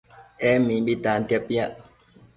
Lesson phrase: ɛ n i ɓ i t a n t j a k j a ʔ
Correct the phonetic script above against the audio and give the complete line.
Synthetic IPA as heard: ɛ m i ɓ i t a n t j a p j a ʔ